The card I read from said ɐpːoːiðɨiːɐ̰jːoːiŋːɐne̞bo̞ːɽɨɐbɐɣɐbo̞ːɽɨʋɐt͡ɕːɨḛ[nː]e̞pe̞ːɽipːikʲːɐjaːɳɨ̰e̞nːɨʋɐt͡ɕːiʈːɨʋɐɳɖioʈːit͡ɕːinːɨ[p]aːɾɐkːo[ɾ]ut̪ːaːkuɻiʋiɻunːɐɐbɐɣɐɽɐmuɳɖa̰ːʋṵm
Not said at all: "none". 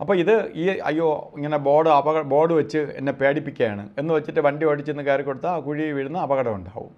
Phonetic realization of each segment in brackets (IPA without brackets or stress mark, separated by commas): nː, k, ɽ